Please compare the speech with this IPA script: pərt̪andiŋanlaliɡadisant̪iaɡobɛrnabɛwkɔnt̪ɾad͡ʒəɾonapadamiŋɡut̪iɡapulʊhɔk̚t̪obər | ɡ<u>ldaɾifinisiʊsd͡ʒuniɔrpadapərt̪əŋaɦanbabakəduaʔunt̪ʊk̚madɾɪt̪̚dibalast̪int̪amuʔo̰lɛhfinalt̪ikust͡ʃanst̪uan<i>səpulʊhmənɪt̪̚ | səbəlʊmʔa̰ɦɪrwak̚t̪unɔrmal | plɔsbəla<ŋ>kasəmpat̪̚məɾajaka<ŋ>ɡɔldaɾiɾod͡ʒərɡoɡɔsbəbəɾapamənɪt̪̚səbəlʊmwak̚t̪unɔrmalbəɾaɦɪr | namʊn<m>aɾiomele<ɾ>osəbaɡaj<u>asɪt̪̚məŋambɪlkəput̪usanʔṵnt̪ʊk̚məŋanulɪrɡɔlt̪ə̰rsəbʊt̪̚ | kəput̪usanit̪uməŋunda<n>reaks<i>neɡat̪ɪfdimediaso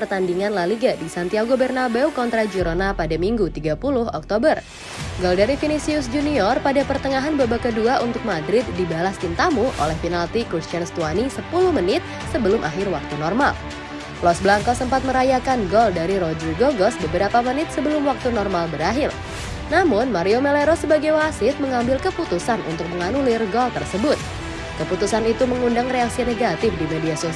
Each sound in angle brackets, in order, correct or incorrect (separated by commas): incorrect, correct, correct, incorrect, correct, correct, incorrect, incorrect, correct